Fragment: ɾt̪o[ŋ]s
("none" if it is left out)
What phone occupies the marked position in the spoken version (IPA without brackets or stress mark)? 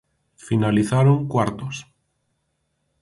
none